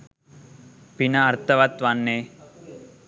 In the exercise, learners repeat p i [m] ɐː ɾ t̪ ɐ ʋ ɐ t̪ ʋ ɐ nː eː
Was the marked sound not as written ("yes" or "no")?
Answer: yes